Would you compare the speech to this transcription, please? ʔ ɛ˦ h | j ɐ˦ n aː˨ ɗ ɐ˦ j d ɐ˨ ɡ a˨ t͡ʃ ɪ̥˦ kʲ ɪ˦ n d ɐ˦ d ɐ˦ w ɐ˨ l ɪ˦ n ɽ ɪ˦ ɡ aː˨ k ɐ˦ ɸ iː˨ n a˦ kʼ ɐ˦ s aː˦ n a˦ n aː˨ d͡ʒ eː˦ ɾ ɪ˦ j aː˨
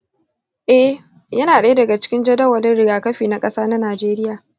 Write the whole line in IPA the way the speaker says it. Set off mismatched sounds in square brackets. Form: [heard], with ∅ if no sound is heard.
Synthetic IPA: ʔ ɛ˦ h | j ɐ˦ n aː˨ ɗ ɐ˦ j d ɐ˨ ɡ a˨ t͡ʃ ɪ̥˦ kʲ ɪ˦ n [d͡ʒ] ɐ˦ d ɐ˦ w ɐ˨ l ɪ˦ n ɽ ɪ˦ ɡ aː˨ k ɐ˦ ɸ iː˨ n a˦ kʼ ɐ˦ s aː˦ n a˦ n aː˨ d͡ʒ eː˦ ɾ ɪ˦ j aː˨